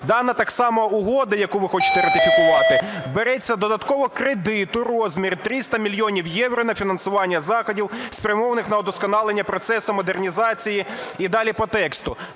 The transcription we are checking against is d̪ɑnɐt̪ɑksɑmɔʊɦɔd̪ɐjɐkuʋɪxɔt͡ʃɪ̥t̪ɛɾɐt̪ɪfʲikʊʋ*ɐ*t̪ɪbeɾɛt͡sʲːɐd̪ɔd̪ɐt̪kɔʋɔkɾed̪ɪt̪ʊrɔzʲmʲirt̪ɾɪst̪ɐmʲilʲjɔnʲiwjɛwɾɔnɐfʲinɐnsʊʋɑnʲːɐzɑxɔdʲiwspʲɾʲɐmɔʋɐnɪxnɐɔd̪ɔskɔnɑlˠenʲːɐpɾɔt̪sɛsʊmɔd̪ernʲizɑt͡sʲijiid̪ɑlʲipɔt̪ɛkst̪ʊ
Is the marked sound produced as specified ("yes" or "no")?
no